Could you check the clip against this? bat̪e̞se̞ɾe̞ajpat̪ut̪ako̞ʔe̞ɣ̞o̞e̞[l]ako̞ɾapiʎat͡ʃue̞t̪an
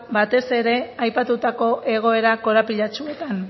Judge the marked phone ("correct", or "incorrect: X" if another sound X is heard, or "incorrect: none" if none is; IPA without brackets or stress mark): incorrect: ɾ